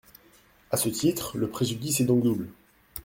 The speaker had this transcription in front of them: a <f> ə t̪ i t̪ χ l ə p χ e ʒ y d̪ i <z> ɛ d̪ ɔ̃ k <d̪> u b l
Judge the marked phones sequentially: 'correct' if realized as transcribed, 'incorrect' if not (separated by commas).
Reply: incorrect, incorrect, correct